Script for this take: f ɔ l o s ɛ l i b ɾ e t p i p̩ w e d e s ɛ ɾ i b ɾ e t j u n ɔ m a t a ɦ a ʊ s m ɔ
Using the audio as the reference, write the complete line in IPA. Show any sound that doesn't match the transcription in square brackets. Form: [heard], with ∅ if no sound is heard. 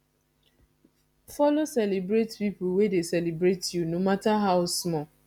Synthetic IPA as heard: f ɔ l o s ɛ l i b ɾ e t p i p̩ w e d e s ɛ [l] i b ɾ e t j u n [o] m a t a ɦ a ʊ s m ɔ

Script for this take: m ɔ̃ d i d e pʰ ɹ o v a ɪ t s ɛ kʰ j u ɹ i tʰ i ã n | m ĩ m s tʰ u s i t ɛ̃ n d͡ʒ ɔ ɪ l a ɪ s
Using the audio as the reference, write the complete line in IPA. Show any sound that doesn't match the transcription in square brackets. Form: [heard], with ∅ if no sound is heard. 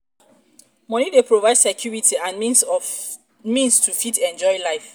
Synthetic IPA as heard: m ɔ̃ [n] i d e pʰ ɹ o v a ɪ [d] s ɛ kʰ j u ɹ i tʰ i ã n | m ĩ [n] s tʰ u [f] i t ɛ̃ n d͡ʒ ɔ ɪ l a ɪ [f]

